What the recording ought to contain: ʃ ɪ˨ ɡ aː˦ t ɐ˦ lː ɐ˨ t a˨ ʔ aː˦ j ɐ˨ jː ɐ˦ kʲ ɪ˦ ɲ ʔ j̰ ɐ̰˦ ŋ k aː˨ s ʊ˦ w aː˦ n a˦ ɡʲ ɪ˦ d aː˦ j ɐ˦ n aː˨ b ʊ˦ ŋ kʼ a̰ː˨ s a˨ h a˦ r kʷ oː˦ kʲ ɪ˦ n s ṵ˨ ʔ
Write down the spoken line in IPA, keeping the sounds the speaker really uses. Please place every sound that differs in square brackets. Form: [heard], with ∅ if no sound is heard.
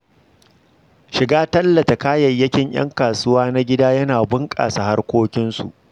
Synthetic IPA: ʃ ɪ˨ ɡ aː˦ t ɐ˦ lː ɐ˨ t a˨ [k] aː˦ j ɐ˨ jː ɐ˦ kʲ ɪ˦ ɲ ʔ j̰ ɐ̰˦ ŋ k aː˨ s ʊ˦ w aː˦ n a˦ ɡʲ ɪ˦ d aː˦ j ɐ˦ n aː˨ b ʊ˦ ŋ kʼ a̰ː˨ s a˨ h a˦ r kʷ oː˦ kʲ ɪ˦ n s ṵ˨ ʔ